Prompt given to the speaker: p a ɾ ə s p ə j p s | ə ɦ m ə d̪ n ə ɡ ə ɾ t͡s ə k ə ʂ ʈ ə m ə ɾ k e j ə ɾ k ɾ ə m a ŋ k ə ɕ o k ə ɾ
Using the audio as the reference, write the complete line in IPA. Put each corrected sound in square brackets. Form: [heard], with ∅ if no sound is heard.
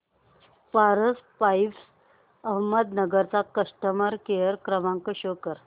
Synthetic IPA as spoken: p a ɾ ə s p [a] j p s | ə ɦ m ə d̪ n ə ɡ ə ɾ t͡s [a] k ə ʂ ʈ ə m ə ɾ k e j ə ɾ k ɾ ə m a ŋ k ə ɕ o k ə ɾ